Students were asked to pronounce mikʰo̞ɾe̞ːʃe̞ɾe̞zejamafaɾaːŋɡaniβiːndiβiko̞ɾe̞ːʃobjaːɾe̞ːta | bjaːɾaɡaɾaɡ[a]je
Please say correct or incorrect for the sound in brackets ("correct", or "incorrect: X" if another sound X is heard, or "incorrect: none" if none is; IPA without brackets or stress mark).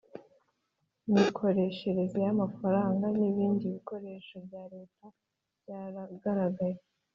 correct